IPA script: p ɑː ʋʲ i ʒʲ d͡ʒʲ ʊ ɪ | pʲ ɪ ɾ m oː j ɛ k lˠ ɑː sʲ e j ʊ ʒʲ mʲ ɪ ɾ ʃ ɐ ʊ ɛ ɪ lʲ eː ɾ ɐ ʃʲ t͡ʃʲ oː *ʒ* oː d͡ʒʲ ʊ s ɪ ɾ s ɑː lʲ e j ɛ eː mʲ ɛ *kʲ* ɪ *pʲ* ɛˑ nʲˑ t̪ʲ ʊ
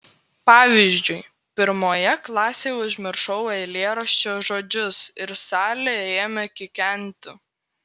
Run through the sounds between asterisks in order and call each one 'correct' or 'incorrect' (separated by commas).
correct, correct, incorrect